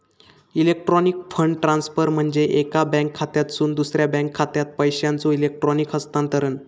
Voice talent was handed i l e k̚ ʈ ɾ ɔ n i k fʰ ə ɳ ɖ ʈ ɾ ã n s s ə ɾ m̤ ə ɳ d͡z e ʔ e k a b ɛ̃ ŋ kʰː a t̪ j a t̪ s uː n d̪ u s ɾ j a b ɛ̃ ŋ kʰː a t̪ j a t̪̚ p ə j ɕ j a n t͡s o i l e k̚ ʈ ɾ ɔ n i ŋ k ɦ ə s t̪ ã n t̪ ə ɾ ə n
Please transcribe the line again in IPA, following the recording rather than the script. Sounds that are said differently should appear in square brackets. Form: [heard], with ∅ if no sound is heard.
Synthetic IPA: i l e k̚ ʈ ɾ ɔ n i k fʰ ə ɳ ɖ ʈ ɾ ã n s [f] ə ɾ m̤ ə ɳ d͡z e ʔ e k a b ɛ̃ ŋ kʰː a t̪ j a t̪ s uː n d̪ u s ɾ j a b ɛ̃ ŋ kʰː a t̪ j a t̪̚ p ə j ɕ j a n t͡s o i l e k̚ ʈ ɾ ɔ n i [∅] k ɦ ə s t̪ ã n t̪ ə ɾ ə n